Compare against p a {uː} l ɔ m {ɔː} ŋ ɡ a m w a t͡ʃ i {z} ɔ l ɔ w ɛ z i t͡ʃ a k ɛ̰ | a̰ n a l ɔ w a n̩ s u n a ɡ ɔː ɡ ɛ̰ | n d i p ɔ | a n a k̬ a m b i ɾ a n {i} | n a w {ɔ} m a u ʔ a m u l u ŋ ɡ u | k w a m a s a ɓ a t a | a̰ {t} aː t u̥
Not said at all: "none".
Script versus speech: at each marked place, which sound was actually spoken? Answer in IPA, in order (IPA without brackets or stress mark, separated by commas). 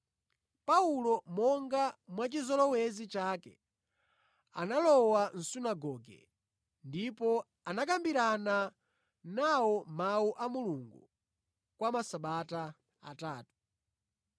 u, ɔ, z, a, ɔ, t